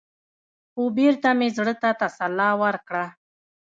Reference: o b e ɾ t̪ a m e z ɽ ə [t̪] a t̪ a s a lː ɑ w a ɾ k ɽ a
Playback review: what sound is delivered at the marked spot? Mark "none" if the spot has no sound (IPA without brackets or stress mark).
t̪